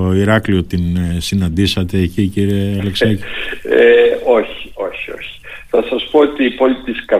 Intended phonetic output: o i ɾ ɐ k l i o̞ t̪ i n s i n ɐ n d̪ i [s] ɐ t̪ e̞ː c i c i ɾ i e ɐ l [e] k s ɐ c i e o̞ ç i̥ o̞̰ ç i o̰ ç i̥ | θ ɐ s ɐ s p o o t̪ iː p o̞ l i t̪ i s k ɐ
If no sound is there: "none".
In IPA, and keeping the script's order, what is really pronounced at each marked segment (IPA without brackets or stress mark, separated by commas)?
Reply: s, e